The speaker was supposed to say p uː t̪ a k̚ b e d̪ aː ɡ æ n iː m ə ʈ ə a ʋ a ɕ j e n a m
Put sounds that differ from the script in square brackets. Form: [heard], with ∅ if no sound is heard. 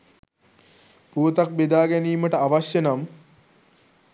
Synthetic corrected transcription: p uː t̪ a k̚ b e d̪ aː ɡ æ n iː m ə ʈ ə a ʋ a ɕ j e n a m